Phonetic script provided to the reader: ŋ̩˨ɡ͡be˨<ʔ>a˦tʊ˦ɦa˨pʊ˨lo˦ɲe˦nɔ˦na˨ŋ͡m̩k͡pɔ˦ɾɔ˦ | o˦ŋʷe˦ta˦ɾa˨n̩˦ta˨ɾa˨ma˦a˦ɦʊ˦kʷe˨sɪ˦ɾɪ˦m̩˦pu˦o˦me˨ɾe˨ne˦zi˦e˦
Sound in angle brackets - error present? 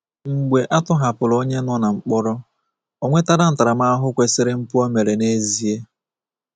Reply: no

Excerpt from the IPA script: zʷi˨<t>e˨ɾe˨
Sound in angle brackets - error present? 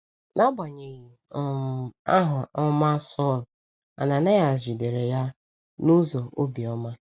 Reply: yes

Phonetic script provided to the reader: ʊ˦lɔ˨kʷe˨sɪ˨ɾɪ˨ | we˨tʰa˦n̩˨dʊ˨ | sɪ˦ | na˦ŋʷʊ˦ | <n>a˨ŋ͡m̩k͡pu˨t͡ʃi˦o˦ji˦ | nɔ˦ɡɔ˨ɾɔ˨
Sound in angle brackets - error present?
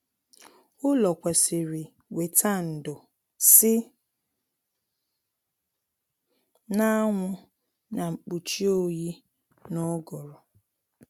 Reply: no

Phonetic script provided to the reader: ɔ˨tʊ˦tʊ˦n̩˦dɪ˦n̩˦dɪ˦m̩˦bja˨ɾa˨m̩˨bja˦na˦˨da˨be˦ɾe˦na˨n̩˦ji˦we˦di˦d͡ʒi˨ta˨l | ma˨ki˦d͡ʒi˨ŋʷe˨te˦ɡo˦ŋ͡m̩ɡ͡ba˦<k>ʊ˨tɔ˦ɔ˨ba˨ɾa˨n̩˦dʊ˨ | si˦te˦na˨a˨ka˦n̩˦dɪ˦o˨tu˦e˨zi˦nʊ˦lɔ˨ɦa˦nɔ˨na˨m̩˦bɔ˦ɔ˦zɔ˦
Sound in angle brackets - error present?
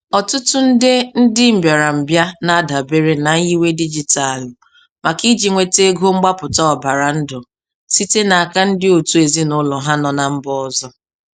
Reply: yes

